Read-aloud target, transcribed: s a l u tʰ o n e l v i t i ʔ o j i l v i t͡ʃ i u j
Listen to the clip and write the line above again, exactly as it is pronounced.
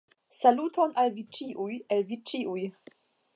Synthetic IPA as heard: s a l u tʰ o n a l v i t͡ʃ i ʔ u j e l v i t͡ʃ i u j

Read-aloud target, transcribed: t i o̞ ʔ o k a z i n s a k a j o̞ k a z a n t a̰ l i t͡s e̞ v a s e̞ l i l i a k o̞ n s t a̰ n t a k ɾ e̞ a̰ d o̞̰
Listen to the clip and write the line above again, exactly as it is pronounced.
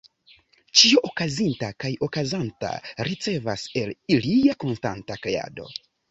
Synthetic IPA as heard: t͡ʃ i o̞ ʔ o k a z i n t a k a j o̞ k a z a n t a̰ ɾ i t͡s e̞ v a s e̞ l i l i a k o̞ n s t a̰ n t a k ɾ e̞ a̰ d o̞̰

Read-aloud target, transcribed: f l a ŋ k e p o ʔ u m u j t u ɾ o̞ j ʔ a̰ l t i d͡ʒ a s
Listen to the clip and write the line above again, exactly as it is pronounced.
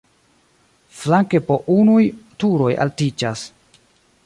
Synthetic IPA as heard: f l a ŋ k e p o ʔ u n u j t u ɾ o̞ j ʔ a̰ l t i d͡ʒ a s

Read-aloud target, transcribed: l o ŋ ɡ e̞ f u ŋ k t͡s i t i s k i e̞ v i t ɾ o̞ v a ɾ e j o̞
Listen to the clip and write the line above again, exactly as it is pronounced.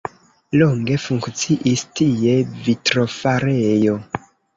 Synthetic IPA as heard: l o ŋ ɡ e̞ f u ŋ k t͡s i ʔ i s t i e̞ v i t ɾ o̞ f a ɾ e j o̞

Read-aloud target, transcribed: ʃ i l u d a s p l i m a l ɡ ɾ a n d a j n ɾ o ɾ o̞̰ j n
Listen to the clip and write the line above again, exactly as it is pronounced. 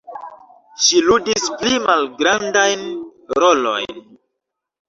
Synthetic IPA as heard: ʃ i l u d i s p l i m a l ɡ ɾ a n d a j n ɾ o l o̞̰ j n

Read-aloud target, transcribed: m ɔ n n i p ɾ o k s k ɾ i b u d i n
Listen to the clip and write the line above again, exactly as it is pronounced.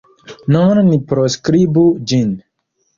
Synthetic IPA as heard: n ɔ n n i p ɾ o s k ɾ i b u d͡ʒ i n

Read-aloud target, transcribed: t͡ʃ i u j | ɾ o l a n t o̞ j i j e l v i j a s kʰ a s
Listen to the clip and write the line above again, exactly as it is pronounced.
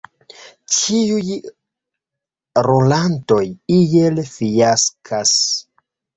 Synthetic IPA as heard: t͡ʃ i u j | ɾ o l a n t o̞ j i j e l f i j a s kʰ a s

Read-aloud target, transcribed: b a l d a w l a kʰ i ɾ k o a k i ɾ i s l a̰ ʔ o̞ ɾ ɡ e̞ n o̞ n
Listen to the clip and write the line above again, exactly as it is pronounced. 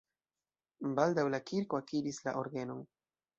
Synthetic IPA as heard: b a l d a w l a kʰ i ɾ k o a k i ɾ i s l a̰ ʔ o̞ ɾ ɡ e̞ n o̞ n

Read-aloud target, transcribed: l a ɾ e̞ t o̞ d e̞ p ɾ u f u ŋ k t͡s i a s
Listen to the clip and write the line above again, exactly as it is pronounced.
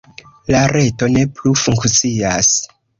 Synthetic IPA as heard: l a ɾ e̞ t o̞ n e̞ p l u f u ŋ k t͡s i a s

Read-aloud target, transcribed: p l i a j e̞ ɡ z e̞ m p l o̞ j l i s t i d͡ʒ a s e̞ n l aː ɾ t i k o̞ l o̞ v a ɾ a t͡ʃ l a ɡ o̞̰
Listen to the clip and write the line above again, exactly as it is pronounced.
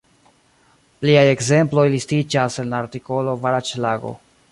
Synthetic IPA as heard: p l i a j e̞ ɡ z e̞ m p l o̞ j l i s t i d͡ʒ a s e̞ n l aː ɾ t i k o̞ l o̞ v a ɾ a t͡ʃ l a ɡ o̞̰

